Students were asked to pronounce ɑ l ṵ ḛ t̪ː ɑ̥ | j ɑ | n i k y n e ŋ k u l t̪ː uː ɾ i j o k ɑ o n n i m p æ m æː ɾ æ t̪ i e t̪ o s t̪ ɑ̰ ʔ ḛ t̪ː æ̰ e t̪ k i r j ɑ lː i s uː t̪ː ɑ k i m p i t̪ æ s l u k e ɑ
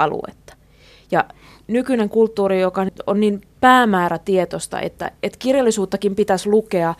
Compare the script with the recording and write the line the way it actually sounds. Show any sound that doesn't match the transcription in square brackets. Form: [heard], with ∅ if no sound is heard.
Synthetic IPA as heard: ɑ l ṵ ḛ t̪ː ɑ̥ | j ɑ | n [y] k y n e ŋ k u l t̪ː uː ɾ i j o k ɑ o n n i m p [æː] m æː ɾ æ t̪ i e t̪ o s t̪ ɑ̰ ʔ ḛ t̪ː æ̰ e t̪ k i r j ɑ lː i s uː t̪ː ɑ k i m p i t̪ æ s l u k e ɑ